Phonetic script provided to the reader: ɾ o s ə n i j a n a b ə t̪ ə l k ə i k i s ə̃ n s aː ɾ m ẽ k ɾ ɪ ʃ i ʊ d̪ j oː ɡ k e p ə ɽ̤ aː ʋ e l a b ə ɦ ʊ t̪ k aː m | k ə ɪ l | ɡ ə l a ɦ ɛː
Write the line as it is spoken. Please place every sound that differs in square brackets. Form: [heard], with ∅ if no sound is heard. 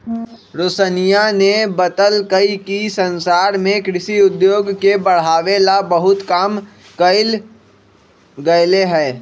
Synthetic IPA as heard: ɾ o s ə n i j a n [e] b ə t̪ ə l k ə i k i s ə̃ n s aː ɾ m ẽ k ɾ ɪ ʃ i ʊ d̪ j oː ɡ k e [b] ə ɽ̤ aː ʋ e l a b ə ɦ ʊ t̪ k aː m | k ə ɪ l | ɡ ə l [e] ɦ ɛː